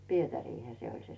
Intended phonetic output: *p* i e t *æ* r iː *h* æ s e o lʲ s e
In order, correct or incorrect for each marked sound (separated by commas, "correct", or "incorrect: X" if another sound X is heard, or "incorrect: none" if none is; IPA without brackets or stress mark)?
correct, correct, correct